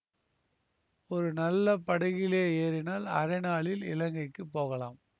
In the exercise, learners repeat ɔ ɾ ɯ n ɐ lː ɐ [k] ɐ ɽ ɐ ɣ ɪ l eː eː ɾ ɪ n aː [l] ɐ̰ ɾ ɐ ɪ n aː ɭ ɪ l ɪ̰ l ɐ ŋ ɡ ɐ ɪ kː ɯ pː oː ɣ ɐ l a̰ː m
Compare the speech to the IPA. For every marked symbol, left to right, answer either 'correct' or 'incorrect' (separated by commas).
incorrect, correct